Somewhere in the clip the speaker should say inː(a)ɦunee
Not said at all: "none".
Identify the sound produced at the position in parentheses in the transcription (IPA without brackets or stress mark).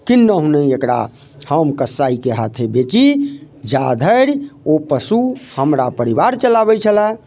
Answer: ə